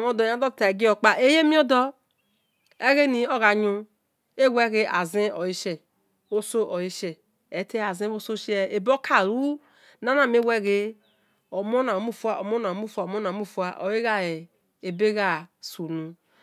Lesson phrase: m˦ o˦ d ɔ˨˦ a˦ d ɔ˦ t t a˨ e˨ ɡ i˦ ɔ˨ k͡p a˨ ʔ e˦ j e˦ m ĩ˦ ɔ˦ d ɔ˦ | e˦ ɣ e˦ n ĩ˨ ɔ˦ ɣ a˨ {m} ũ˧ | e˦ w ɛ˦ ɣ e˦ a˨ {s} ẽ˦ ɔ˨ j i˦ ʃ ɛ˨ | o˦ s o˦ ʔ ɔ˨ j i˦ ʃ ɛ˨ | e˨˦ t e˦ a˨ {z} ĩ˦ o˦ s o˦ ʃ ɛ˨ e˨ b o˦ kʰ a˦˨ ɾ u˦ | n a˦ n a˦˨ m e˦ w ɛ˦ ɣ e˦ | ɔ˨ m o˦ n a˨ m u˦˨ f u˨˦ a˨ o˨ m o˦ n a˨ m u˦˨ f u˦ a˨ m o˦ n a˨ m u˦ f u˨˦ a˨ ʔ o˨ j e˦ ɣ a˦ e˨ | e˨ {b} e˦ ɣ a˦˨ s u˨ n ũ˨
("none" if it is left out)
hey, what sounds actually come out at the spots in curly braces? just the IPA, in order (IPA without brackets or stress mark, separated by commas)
ɲ, z, z, b